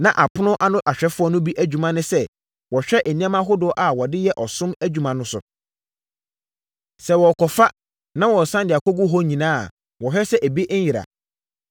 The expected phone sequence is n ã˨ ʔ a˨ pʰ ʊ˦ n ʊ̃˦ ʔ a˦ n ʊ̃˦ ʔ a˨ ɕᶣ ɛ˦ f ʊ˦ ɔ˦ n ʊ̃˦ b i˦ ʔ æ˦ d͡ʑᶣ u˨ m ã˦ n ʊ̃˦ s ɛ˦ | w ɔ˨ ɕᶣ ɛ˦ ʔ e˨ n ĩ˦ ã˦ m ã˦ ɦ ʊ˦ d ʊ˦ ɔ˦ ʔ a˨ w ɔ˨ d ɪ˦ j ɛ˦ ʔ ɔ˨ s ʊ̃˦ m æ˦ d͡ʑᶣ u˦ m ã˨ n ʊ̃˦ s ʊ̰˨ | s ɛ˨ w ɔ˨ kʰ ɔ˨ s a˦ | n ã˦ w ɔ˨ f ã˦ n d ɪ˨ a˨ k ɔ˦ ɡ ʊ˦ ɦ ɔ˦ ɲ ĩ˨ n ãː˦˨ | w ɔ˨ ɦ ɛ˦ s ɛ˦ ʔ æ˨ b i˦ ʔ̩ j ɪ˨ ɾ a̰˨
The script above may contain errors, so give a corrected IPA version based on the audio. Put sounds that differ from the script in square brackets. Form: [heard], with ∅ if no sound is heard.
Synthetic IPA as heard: n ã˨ ʔ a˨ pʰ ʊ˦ n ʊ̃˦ ʔ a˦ n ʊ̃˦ ʔ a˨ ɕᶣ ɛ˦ f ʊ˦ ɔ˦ n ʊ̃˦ b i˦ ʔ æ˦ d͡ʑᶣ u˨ m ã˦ n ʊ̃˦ s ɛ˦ | w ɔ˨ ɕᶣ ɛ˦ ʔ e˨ n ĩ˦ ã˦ m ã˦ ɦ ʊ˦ d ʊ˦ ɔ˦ ʔ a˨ w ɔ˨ d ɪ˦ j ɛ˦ ʔ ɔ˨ s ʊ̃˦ m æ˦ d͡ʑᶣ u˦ m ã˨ n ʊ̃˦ s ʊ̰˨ | s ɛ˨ w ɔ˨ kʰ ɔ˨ [f] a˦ | n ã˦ w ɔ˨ [s] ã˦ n d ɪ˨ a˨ k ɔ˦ ɡ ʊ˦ ɦ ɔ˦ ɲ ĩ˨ n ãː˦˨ | w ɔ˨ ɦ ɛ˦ s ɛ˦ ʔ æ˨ b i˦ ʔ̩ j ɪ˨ ɾ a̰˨